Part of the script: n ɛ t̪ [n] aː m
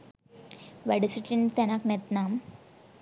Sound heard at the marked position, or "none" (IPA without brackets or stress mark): n